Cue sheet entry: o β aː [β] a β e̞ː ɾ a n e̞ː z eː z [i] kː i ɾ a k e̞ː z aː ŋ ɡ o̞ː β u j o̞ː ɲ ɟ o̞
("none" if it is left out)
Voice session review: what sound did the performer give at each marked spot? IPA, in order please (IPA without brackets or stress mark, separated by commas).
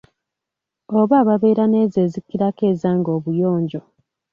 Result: β, i